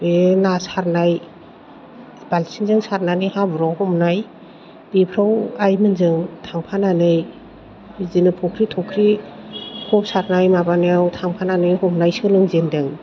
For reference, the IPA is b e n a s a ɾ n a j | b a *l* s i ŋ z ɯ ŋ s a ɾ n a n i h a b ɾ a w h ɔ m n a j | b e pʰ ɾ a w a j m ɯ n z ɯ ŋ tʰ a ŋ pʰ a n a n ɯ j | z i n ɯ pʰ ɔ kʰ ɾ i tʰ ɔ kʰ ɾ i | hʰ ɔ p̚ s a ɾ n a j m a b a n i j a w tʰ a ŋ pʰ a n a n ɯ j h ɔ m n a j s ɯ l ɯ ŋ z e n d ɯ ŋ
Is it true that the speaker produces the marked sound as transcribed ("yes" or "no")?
yes